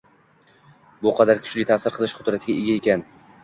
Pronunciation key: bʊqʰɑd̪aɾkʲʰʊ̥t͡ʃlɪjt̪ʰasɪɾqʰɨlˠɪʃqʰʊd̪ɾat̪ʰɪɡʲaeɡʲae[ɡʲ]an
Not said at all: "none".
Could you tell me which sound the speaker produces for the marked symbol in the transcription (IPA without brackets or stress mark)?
kʲ